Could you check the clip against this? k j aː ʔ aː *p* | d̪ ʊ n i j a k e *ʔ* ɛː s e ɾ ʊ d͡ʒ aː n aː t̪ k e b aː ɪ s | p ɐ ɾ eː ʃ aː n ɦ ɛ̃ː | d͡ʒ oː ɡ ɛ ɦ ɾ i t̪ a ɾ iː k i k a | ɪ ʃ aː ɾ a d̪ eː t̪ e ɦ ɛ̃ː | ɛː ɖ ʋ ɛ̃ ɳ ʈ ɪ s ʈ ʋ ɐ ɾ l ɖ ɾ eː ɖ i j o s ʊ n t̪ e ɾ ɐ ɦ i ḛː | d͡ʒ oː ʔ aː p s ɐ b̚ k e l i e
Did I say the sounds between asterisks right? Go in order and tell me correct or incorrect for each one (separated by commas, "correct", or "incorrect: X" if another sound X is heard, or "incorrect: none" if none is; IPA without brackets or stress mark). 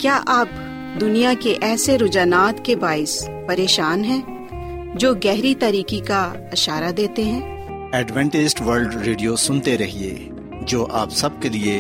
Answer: correct, correct